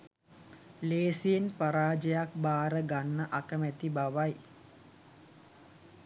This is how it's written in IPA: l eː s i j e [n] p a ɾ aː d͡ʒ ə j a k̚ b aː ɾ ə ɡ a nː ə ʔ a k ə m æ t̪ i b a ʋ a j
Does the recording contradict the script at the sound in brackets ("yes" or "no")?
no